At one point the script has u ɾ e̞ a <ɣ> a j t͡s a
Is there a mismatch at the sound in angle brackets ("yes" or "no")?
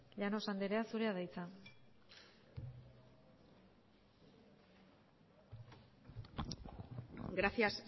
yes